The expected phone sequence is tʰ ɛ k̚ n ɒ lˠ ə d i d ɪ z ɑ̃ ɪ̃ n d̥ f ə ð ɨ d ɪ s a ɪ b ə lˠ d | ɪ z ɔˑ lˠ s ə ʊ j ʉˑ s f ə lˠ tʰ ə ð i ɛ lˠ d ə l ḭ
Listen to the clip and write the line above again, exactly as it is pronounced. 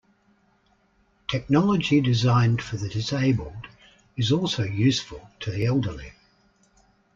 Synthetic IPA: tʰ ɛ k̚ n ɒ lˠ ə d͡ʒ i d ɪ z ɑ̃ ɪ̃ n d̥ f ə ð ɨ d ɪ s e ɪ b ə lˠ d | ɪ z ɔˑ lˠ s ə ʊ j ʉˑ s f ə lˠ tʰ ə ð i ɛ lˠ d ə l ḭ